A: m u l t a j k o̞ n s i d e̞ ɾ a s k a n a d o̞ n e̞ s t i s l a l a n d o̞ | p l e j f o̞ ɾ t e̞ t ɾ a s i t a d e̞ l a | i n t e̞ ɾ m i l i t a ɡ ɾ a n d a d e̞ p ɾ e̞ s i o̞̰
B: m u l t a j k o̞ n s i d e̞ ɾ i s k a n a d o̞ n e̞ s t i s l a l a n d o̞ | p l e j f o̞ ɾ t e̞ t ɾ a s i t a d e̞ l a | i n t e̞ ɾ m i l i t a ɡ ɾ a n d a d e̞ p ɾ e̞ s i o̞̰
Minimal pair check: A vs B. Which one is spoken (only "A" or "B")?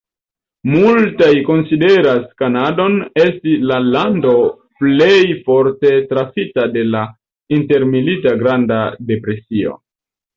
A